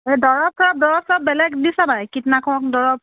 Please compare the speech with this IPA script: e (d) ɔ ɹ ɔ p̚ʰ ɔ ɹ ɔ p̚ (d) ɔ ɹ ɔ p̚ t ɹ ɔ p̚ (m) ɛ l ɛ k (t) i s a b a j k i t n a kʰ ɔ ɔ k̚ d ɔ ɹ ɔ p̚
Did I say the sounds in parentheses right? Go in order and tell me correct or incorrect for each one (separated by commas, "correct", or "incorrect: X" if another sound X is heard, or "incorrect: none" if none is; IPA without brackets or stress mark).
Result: correct, correct, incorrect: b, incorrect: d